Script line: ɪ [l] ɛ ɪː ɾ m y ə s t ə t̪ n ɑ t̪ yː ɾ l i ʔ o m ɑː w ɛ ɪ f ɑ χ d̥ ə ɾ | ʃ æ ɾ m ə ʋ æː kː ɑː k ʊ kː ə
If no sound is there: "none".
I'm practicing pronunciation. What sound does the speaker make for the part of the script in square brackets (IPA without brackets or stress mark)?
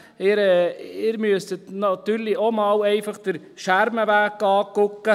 ɾ